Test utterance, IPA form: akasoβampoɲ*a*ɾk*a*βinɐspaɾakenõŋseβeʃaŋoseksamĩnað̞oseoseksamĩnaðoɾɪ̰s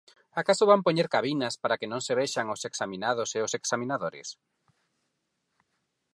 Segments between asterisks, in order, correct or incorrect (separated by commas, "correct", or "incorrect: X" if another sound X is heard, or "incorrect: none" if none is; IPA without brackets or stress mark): incorrect: e, correct